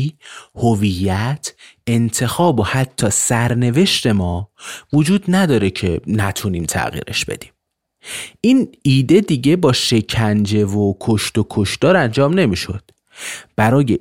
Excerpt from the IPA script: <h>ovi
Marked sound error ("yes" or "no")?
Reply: no